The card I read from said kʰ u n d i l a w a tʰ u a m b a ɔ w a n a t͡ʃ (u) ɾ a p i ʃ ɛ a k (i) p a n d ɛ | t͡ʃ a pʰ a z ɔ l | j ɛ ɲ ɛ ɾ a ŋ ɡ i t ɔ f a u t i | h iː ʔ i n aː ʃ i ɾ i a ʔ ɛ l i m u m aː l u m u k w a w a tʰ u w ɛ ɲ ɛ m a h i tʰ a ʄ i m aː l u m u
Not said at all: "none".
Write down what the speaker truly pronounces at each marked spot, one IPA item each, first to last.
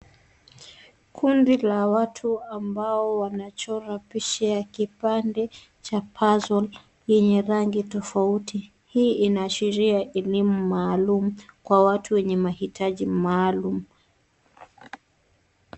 ɔ, i

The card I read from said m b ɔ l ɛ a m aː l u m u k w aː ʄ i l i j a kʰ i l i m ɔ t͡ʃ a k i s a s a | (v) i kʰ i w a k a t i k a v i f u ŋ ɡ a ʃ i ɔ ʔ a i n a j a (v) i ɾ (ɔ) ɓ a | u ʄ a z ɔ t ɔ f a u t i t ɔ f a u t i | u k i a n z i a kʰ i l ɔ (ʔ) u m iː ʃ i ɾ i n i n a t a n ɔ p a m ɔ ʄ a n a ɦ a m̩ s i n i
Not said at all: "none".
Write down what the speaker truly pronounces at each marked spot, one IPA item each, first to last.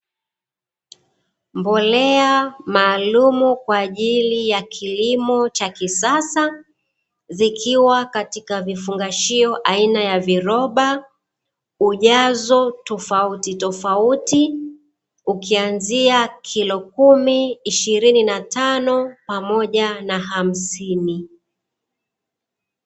z, v, ɔ, k

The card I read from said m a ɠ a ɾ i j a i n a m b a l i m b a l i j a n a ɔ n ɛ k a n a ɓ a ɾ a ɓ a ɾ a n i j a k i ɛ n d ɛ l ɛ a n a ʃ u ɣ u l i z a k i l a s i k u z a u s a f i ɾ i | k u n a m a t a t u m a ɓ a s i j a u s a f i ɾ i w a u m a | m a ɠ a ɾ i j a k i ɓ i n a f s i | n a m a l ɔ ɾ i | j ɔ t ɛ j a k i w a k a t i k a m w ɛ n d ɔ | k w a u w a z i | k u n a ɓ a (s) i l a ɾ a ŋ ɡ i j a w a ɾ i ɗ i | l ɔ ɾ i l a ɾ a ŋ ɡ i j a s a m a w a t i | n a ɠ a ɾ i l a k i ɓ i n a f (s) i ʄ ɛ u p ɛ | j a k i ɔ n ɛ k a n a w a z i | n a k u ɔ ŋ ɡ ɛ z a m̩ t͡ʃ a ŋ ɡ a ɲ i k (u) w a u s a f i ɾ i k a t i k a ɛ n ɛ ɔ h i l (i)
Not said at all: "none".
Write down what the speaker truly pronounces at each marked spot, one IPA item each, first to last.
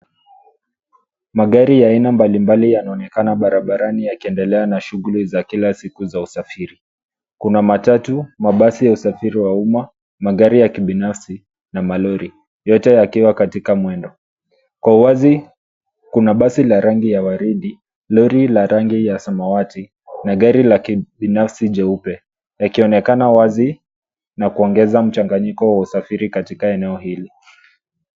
s, s, ɔ, i

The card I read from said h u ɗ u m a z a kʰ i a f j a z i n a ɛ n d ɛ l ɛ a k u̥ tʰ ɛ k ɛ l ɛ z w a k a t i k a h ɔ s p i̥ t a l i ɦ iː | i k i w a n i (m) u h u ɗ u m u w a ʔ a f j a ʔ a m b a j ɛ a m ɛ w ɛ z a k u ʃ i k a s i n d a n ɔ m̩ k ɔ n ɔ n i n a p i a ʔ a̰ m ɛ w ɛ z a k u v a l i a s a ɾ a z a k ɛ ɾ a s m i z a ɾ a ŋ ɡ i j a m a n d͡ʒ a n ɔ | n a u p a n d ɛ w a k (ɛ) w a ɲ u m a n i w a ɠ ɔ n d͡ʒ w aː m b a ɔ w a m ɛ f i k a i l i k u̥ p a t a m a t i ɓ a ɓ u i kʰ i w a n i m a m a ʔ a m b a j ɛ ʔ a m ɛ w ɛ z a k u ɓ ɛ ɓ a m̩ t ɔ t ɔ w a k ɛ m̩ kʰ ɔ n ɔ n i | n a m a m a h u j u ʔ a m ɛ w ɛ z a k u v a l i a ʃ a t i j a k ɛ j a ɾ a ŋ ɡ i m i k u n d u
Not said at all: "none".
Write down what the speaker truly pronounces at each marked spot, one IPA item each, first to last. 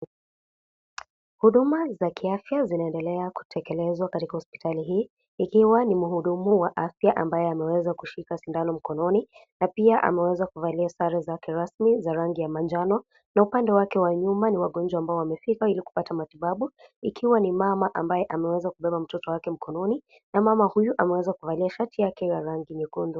m, ɛ

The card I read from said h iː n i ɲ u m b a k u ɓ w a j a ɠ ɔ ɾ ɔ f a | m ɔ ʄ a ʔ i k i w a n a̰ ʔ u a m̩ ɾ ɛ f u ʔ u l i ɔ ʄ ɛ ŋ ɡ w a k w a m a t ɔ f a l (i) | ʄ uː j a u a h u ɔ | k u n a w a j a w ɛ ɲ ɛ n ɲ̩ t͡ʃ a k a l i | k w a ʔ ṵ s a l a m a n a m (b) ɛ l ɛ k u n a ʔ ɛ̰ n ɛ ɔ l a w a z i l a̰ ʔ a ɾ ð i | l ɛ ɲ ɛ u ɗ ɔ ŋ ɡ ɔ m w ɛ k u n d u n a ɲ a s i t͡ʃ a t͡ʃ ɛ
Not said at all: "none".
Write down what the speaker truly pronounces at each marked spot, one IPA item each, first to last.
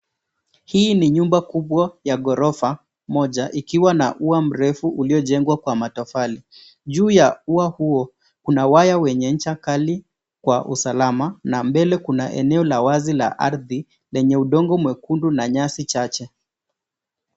i, b

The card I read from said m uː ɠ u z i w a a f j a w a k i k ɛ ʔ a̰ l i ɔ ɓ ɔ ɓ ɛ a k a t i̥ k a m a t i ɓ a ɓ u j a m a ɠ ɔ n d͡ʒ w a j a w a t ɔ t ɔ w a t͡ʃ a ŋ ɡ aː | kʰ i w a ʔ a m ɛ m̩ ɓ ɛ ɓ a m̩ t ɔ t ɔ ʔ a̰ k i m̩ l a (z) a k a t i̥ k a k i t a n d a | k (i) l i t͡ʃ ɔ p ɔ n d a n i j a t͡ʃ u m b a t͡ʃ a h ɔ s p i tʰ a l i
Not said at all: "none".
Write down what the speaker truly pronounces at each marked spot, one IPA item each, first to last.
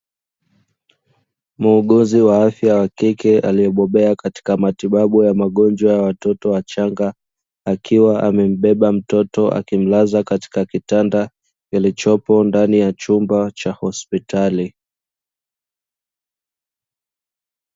z, i

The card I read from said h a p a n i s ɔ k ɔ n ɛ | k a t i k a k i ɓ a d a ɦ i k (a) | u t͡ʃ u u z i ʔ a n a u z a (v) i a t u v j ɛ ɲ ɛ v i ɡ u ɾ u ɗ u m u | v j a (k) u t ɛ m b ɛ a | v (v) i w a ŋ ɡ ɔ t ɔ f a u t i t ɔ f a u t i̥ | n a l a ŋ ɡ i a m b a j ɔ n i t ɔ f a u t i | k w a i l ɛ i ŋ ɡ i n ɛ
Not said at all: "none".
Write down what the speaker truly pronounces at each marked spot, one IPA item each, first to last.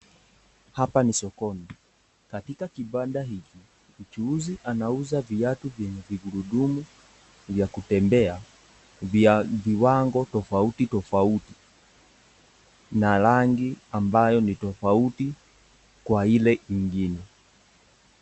i, v, k, v

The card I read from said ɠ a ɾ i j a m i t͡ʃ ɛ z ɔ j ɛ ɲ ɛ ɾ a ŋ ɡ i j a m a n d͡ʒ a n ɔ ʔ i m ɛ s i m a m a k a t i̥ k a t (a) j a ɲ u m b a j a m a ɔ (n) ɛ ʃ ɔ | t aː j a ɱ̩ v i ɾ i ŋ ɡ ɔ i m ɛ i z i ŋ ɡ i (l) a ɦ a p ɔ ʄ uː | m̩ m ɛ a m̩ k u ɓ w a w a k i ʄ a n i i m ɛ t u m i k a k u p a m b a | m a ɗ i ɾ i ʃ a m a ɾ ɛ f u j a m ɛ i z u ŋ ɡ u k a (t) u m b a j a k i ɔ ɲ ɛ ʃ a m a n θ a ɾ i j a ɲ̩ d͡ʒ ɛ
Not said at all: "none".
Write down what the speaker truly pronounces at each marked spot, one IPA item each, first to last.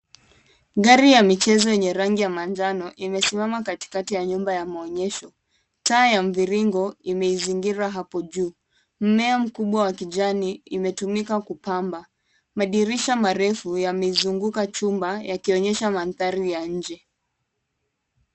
i, ɲ, ɾ, t͡ʃ

